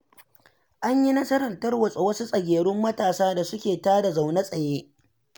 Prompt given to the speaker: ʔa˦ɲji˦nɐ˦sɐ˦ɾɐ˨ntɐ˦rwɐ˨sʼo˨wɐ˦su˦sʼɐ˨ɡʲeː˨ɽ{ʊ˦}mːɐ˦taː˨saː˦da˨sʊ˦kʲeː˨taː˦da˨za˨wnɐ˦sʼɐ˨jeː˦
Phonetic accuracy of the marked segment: correct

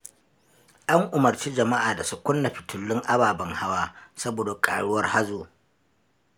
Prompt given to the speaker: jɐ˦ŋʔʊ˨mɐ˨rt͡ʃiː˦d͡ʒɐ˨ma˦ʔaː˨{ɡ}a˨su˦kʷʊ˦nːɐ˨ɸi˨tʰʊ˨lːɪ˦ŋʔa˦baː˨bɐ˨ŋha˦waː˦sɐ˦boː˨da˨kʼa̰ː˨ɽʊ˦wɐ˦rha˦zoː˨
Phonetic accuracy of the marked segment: incorrect: d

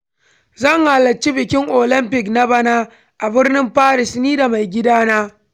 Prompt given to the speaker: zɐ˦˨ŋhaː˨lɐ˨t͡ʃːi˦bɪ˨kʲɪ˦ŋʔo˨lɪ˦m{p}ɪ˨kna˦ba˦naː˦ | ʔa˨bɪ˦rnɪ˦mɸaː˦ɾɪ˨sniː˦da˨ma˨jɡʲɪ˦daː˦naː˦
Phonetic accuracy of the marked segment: correct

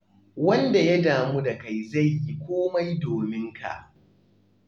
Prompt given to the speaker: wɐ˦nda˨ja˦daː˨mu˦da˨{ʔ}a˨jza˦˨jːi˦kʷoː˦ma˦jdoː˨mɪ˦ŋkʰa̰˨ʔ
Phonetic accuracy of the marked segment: incorrect: k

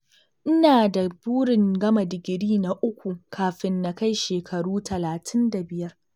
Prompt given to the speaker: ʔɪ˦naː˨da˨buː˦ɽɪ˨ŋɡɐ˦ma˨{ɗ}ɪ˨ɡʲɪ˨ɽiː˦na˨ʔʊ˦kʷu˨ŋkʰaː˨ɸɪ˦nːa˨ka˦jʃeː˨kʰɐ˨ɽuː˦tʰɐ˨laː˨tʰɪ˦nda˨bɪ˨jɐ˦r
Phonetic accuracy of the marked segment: incorrect: d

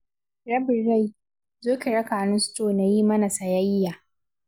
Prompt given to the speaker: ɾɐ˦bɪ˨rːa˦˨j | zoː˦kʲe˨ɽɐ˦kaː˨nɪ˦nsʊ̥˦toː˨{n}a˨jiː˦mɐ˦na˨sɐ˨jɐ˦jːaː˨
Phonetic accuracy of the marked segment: correct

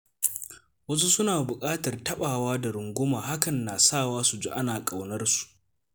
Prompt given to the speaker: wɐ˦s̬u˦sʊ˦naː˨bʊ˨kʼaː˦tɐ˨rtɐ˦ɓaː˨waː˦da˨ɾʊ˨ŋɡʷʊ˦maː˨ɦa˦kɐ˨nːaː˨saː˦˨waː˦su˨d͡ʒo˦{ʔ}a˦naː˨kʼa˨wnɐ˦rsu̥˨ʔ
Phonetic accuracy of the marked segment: correct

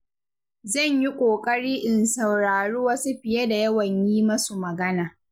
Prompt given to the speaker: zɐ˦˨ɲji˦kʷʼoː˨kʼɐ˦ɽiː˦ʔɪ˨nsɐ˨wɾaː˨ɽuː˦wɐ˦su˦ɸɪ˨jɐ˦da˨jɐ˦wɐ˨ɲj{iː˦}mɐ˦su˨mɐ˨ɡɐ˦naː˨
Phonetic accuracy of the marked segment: correct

